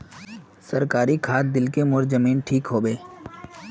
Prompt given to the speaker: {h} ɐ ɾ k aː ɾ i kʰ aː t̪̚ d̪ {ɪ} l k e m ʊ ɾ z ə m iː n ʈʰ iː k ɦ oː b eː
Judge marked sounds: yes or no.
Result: no, yes

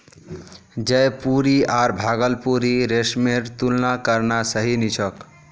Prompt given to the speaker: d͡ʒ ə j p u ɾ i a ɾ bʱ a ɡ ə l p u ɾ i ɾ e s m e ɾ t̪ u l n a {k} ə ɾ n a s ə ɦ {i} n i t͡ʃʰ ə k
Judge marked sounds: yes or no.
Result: yes, yes

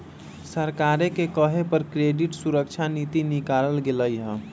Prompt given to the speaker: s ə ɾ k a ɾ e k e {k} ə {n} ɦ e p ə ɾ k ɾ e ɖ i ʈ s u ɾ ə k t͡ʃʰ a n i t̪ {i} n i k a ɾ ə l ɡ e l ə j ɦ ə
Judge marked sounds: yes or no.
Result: yes, no, yes

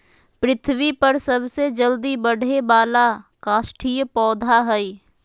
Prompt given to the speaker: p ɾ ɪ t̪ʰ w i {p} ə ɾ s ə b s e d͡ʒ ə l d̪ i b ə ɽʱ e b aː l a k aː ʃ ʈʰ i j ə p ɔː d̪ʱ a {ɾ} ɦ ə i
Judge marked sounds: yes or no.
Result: yes, no

